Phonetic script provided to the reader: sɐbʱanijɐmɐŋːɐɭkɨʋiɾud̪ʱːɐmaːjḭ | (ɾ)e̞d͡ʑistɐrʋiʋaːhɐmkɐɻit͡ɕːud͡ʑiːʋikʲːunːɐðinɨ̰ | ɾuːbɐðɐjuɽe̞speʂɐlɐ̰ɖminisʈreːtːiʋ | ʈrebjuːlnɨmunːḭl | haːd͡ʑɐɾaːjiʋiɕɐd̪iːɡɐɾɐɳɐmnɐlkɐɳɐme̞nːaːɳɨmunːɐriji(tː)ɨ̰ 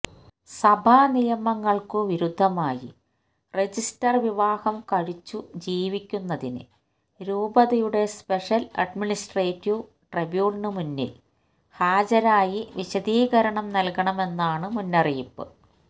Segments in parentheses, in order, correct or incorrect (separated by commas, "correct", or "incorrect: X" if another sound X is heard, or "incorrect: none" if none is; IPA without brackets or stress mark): incorrect: r, incorrect: pː